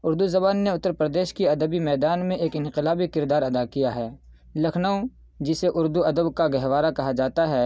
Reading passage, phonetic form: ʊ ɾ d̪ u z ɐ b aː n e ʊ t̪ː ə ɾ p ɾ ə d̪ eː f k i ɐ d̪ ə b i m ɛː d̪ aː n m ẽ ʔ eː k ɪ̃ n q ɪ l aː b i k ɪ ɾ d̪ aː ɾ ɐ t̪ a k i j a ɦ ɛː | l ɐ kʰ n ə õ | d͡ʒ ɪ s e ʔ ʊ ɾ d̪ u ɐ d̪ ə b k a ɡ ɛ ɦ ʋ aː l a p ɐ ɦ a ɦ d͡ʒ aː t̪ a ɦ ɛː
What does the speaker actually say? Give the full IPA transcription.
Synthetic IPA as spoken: ʊ ɾ d̪ u z ɐ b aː nː e ʊ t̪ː ə ɾ p ɾ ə d̪ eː ʃ k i ɐ d̪ ə b i m ɛː d̪ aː n m ẽ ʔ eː k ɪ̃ n q ɪ l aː b i k ɪ ɾ d̪ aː ɾ ɐ d̪ a k i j a ɦ ɛː | l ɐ kʰ n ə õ | d͡ʒ ɪ s e ʔ ʊ ɾ d̪ u ɐ d̪ ə b k a ɡ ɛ ɦ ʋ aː ɾ a k ɐ ɦ a d͡ʒ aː t̪ a ɦ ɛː